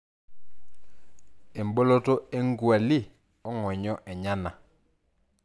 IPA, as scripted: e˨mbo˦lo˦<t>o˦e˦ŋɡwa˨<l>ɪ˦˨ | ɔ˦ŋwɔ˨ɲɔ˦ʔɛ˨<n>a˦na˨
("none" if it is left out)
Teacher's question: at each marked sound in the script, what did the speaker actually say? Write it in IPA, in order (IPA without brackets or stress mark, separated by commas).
t, l, ɲ